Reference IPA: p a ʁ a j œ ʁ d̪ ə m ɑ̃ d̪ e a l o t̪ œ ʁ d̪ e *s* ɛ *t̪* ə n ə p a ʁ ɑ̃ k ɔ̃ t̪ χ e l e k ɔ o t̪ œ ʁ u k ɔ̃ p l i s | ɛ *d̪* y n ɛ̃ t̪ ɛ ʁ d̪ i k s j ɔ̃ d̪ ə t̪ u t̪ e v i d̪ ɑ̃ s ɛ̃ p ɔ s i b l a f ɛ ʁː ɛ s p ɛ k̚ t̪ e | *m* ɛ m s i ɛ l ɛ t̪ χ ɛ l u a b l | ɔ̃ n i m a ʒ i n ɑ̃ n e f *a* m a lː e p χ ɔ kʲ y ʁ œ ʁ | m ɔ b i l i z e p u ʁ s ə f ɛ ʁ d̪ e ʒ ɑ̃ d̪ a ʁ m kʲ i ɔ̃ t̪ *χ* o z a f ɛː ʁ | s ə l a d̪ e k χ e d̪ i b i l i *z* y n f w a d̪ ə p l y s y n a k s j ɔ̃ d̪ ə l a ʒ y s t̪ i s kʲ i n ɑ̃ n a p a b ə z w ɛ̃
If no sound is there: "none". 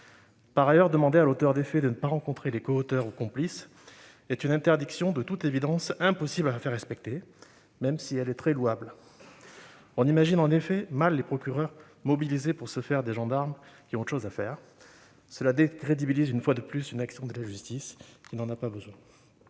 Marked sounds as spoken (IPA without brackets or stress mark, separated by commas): f, d̪, t̪, m, ɛ, ʃ, z